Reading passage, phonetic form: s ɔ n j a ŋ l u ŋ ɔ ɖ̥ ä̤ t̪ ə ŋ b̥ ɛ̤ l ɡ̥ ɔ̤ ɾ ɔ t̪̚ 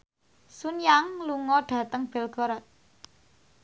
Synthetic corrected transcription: s u n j a ŋ l u ŋ ɔ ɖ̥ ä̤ t̪ ə ŋ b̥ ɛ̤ l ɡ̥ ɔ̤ ɾ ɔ t̪̚

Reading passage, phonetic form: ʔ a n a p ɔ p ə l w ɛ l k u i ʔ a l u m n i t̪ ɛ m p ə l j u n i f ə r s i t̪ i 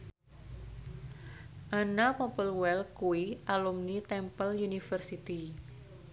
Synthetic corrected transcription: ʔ a n a p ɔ p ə l w ɛ l k u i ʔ a l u m n i t̪ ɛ m p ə l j u n i f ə r s i t̪ i

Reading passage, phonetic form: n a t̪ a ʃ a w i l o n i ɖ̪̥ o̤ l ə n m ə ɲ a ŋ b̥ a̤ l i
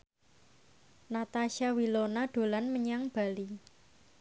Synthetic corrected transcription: n a t̪ a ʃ a w i l o n a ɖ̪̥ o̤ l a n m ə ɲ a ŋ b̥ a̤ l i

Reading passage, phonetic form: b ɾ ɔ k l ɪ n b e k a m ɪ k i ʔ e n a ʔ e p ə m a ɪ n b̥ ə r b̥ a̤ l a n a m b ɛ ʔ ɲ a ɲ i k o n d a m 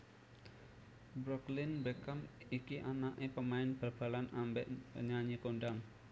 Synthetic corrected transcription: b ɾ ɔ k l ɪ n b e k a m i k i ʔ a n a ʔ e p ə m a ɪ n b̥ ə r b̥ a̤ l a n a m b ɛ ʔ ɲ a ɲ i k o n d a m

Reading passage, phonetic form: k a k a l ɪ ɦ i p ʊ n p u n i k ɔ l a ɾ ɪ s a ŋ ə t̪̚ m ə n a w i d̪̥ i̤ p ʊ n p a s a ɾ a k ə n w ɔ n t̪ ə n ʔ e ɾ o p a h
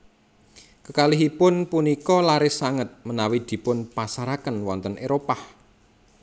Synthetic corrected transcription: k ə k a l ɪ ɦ i p ʊ n p u n i k ɔ l a ɾ ɪ s a ŋ ə t̪̚ m ə n a w i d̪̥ i̤ p ʊ n p a s a ɾ a k ə n w ɔ n t̪ ə n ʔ e ɾ o p a h

